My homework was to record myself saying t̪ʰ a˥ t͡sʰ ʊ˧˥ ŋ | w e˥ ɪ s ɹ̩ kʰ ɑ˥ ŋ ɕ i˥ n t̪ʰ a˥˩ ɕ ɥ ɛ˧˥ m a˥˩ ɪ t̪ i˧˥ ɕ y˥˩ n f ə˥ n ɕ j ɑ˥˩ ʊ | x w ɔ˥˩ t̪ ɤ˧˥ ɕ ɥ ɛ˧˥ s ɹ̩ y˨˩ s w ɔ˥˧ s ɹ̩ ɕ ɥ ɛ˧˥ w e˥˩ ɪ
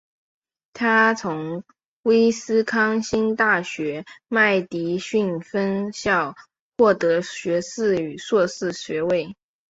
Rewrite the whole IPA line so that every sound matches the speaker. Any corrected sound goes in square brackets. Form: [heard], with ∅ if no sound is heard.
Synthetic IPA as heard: t̪ʰ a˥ t͡sʰ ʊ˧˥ ŋ | w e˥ ɪ s ɹ̩ kʰ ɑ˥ ŋ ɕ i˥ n [t̪] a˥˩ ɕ ɥ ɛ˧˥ m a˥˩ ɪ t̪ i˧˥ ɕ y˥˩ n f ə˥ n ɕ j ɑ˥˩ ʊ | x w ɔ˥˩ t̪ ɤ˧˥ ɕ ɥ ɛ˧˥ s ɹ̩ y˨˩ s w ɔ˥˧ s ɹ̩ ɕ ɥ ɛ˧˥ w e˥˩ ɪ